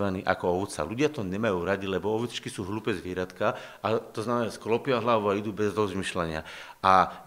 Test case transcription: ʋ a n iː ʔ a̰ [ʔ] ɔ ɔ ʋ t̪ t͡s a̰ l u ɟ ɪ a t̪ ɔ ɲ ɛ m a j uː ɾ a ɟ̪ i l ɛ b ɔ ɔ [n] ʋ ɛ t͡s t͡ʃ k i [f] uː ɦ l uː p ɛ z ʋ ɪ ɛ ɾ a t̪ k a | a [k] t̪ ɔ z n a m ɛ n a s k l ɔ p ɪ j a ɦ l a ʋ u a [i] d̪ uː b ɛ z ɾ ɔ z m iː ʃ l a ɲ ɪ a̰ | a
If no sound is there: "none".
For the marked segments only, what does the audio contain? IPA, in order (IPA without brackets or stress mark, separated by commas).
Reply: k, none, s, none, i